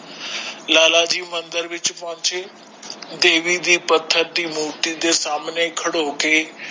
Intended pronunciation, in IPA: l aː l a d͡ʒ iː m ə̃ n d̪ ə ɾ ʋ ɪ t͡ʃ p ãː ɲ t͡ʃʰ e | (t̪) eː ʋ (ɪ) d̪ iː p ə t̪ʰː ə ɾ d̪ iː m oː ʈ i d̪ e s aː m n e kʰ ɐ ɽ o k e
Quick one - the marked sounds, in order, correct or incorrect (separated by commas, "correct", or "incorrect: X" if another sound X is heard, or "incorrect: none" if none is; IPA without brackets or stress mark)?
incorrect: d̪, incorrect: i